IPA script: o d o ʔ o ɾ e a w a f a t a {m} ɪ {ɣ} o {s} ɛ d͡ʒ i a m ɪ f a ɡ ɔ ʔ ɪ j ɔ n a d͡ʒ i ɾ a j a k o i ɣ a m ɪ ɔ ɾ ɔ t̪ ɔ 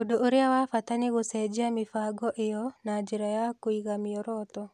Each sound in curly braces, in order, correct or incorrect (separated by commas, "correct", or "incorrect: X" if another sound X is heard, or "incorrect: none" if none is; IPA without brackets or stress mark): incorrect: n, correct, correct